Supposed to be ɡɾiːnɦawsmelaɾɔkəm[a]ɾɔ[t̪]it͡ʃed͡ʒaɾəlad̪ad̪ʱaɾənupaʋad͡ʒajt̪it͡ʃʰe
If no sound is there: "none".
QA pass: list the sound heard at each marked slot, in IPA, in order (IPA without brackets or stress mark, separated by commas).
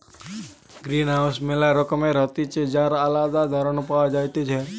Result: e, t̪